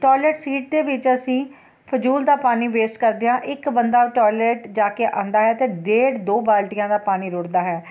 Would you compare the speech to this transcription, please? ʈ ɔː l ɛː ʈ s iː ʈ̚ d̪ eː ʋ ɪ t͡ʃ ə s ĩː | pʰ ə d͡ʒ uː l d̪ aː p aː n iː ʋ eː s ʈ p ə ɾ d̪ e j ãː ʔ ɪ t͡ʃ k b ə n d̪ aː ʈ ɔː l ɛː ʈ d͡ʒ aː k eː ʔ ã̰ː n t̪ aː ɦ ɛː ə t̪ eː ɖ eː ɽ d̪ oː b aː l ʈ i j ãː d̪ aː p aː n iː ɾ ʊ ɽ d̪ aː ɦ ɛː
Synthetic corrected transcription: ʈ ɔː l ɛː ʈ s iː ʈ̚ d̪ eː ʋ ɪ t͡ʃ ə s ĩː | pʰ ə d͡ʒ uː l d̪ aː p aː n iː ʋ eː s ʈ k ə ɾ d̪ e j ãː ʔ ɪ k b ə n d̪ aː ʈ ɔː l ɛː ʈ d͡ʒ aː k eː ʔ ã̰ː n d̪ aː ɦ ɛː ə t̪ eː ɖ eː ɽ d̪ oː b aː l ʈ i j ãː d̪ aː p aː n iː ɾ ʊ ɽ d̪ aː ɦ ɛː